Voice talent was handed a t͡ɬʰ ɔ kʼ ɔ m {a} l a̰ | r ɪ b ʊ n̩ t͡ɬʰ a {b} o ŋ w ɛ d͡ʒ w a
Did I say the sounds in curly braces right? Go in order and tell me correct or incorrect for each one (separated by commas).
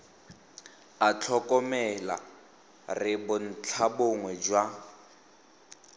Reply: incorrect, correct